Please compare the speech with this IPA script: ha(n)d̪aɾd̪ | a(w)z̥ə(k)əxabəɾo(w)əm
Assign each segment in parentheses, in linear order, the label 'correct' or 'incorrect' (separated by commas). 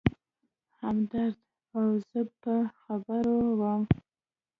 incorrect, correct, incorrect, correct